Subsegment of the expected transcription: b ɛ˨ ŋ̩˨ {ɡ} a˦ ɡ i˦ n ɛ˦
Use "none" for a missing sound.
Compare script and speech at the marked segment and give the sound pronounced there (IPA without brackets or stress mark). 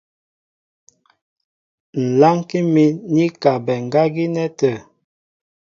ɡ